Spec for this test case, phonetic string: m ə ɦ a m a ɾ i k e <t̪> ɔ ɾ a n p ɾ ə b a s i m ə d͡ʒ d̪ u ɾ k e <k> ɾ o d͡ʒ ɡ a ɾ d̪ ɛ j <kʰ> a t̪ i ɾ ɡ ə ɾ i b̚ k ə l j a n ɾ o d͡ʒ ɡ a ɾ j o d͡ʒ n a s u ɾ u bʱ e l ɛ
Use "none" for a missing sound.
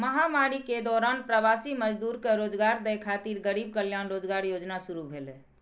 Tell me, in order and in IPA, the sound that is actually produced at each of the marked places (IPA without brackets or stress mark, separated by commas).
d̪, none, kʰ